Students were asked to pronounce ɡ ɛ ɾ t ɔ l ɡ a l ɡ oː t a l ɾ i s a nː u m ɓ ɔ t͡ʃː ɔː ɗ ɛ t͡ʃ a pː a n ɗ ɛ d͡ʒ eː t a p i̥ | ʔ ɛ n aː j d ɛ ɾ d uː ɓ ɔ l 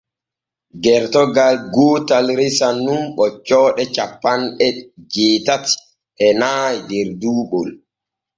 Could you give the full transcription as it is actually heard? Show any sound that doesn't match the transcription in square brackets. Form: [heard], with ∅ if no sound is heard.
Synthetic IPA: ɡ ɛ ɾ t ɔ [∅] ɡ a l ɡ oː t a l ɾ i s a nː u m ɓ ɔ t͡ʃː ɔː ɗ ɛ t͡ʃ a pː a n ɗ ɛ d͡ʒ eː t a [t] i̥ | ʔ ɛ n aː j d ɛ ɾ d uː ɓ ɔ l

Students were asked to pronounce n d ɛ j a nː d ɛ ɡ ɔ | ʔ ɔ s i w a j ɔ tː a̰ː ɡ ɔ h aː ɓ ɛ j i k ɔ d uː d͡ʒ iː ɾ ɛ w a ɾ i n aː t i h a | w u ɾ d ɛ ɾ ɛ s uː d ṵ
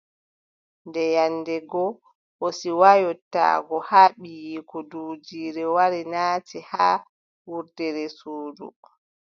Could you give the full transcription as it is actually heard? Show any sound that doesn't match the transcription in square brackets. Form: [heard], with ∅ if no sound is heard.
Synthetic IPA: n d ɛ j a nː d ɛ ɡ ɔ | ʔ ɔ s i w a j ɔ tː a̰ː ɡ ɔ h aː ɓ [i] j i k ɔ d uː d͡ʒ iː ɾ ɛ w a ɾ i n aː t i h a | w u ɾ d ɛ ɾ ɛ s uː d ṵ

